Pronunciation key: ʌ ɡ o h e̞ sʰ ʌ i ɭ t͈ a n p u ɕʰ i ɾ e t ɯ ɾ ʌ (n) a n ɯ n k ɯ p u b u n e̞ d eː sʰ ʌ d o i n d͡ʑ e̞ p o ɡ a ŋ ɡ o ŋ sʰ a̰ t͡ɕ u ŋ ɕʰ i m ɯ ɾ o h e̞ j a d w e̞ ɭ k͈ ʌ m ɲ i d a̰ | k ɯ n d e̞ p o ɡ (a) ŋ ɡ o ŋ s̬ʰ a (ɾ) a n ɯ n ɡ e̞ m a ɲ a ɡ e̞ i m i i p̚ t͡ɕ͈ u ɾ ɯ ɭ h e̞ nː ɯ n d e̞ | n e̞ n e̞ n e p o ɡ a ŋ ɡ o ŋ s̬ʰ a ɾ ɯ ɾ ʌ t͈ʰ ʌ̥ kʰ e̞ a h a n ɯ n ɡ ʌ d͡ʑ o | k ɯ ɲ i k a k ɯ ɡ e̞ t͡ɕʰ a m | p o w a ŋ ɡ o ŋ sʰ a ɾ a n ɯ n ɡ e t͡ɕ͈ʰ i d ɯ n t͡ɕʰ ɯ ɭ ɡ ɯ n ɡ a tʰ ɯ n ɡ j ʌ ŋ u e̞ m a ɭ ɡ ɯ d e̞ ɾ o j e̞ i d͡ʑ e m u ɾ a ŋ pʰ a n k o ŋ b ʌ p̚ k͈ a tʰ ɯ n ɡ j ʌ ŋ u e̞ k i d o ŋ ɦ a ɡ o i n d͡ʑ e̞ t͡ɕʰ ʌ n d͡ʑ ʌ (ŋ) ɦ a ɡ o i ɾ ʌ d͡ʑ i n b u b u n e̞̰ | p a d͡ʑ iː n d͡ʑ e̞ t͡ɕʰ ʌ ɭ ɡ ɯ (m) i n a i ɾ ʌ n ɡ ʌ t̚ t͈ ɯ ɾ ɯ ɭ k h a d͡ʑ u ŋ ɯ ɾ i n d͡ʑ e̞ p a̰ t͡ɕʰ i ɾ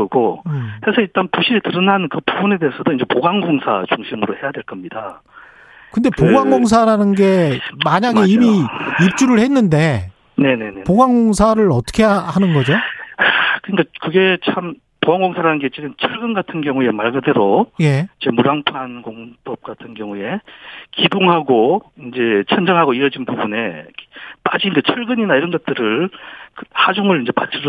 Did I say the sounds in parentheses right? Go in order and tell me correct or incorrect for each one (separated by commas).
correct, correct, correct, correct, incorrect